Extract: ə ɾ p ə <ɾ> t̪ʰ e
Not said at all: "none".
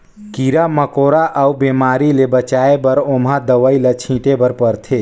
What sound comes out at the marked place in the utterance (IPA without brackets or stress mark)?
ɾ